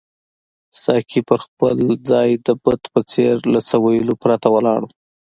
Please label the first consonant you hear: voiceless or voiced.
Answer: voiceless